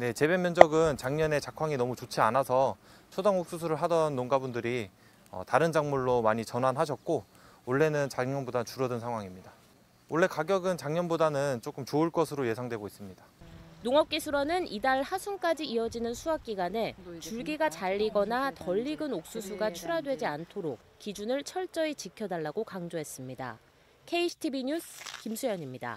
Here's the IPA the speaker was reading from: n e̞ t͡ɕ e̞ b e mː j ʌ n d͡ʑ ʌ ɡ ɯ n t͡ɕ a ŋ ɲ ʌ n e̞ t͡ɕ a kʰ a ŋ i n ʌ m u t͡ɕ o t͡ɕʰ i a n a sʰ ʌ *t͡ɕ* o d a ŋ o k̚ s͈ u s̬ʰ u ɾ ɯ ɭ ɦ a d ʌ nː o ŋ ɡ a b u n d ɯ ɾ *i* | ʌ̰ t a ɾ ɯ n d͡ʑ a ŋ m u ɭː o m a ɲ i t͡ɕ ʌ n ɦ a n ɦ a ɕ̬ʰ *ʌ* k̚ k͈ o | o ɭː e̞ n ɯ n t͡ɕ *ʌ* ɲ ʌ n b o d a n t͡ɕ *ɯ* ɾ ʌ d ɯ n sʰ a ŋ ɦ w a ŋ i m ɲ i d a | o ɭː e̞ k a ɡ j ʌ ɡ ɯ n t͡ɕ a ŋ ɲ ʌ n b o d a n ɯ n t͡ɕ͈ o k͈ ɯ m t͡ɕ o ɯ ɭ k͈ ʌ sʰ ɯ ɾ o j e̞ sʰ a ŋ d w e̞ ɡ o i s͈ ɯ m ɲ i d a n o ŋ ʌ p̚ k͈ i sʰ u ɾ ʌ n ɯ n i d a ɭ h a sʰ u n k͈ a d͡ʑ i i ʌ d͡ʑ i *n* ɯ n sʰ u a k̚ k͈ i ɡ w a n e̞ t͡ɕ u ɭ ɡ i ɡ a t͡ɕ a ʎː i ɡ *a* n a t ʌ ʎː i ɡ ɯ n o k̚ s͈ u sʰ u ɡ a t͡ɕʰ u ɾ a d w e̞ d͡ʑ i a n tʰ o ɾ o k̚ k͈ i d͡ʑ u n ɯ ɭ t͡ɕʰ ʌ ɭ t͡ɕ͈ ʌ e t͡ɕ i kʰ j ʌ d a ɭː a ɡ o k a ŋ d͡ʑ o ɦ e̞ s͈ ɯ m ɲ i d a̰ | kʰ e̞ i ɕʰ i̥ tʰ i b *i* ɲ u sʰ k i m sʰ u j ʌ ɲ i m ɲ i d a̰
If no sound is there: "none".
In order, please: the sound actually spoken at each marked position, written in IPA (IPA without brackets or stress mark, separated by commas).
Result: t͡ɕʰ, i, ʌ, a, u, n, ʌ, i